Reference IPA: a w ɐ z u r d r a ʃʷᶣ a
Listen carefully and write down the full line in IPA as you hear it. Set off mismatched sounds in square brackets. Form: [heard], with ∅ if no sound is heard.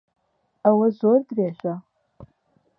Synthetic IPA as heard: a w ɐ z [o] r d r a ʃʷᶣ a

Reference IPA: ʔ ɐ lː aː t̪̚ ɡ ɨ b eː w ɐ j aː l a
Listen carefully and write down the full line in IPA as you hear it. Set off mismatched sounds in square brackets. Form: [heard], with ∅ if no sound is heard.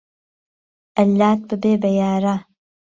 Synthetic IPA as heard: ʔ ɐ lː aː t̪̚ [b] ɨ b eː [b] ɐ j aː [ɾ] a

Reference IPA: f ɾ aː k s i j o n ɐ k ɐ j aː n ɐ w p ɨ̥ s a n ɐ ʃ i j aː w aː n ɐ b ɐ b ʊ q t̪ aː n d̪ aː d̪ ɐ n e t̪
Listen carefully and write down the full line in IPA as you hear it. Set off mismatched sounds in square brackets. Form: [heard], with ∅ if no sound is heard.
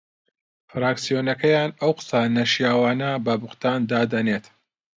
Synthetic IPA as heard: f ɾ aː k s i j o n ɐ k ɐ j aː n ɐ w [q] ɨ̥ s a n ɐ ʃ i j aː w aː n ɐ b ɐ b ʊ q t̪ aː n d̪ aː d̪ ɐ n e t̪

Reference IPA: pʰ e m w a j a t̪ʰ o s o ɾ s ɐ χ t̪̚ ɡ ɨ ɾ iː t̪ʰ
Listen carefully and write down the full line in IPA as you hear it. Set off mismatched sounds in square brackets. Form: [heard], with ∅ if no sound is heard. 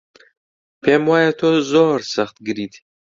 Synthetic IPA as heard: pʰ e m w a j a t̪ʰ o [z] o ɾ s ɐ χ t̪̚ ɡ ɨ ɾ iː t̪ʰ

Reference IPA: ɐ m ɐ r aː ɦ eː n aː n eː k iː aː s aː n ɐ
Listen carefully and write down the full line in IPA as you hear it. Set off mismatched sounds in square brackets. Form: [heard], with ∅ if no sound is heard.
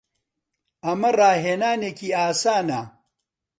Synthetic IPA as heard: ɐ m ɐ r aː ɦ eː n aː n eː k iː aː s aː n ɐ

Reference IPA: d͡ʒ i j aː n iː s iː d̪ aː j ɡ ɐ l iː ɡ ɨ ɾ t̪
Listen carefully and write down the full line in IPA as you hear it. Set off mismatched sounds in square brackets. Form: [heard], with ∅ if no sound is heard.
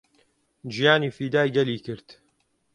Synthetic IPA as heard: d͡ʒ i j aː n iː [f] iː d̪ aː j ɡ ɐ l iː [k] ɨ ɾ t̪

